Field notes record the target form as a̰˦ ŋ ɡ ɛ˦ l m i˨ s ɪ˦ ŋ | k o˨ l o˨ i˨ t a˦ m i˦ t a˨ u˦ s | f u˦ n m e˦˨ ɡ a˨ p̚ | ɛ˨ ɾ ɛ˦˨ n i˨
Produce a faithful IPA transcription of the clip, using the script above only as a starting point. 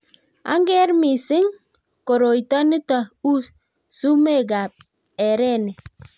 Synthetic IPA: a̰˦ ŋ ɡ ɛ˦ ɾ m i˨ s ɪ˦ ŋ | k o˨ ɾ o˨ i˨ t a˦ n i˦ t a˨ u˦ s | s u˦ m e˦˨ ɡ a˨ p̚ | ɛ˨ ɾ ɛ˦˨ n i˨

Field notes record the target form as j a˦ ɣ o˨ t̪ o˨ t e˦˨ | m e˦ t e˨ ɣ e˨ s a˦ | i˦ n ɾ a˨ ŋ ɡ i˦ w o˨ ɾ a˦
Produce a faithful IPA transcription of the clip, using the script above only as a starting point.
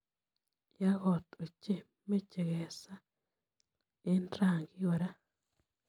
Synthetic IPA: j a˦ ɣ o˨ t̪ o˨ t͡ʃ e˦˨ | m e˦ t͡ʃ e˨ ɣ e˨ s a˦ | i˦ n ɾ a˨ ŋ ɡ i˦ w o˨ ɾ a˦

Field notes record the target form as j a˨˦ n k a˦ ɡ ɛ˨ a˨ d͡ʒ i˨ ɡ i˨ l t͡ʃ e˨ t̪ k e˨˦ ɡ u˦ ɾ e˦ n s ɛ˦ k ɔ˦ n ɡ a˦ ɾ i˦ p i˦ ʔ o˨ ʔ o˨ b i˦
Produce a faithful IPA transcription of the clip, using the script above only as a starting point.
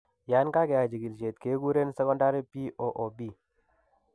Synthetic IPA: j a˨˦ n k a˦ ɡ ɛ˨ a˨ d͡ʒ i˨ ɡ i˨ l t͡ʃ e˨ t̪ k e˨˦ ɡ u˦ ɾ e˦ n s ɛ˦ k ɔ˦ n d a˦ ɾ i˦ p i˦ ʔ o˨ ʔ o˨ b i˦

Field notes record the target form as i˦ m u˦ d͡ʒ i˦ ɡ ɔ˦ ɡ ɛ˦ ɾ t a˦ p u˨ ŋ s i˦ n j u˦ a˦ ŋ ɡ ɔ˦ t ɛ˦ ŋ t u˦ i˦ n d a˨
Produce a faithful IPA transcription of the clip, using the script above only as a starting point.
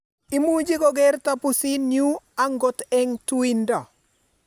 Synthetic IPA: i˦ m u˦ d͡ʒ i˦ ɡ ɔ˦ ɡ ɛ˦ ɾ t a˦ p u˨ s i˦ n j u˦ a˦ ŋ ɡ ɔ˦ t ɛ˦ ŋ t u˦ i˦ n d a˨

